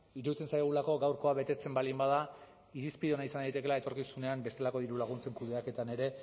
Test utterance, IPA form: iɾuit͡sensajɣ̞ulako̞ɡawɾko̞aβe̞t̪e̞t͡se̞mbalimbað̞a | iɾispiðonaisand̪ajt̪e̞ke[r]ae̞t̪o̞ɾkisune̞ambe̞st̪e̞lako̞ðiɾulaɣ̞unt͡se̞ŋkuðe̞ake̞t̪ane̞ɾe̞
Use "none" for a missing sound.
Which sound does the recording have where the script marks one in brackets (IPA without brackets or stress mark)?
l